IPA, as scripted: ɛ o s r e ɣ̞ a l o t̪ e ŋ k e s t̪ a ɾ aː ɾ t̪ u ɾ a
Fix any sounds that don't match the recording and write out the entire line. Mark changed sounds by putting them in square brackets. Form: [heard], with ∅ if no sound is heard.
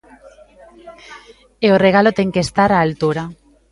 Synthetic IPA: [e] o [∅] r e ɣ̞ a l o t̪ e ŋ k e s t̪ a ɾ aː [l] t̪ u ɾ a